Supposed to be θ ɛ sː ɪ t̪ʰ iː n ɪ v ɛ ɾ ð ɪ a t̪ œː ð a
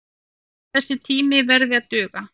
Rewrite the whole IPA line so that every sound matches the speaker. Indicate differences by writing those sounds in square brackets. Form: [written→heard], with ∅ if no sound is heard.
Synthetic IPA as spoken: θ ɛ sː ɪ t̪ʰ iː [n→m] ɪ v ɛ ɾ ð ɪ a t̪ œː [ð→ɣ] a